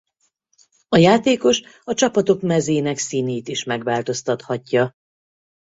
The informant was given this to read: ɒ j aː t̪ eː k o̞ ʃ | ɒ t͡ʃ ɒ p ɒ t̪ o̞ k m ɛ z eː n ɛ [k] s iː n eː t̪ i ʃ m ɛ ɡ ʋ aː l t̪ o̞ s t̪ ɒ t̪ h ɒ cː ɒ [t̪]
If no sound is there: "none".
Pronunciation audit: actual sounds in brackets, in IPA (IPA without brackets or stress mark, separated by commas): k, none